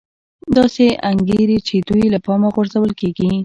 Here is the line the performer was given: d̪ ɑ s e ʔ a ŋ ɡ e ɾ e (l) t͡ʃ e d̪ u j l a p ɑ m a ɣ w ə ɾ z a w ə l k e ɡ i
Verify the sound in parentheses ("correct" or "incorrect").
incorrect